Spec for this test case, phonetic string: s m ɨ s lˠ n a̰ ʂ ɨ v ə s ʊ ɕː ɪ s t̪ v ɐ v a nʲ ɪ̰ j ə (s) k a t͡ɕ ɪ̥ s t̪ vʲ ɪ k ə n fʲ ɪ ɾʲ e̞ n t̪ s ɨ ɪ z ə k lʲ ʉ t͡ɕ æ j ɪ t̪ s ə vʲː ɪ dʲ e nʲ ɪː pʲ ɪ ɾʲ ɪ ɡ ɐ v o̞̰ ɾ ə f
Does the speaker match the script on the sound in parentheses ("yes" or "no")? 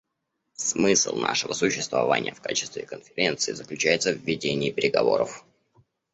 no